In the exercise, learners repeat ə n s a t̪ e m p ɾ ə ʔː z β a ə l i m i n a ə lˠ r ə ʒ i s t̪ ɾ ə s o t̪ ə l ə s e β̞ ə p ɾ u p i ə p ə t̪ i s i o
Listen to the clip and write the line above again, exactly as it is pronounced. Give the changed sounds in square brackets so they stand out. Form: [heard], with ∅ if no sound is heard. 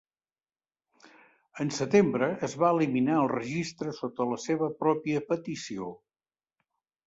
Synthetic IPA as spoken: ə n s [ə] t̪ e m [b] ɾ ə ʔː z β a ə l i m i n a ə lˠ r ə ʒ i s t̪ ɾ ə s o t̪ ə l ə s e β̞ ə p ɾ [ɔ] p i ə p ə t̪ i s i o